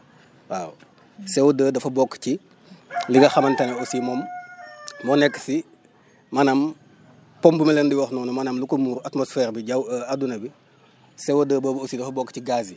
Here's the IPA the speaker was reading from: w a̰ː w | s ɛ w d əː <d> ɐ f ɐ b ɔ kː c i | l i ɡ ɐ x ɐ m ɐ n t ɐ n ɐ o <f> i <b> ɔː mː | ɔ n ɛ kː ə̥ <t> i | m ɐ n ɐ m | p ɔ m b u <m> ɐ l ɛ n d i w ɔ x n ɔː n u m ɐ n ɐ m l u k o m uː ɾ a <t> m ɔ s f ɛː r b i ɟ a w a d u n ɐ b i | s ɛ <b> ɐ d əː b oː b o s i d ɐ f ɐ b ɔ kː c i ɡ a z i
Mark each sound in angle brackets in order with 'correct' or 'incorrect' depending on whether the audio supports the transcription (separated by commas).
correct, incorrect, incorrect, incorrect, correct, correct, incorrect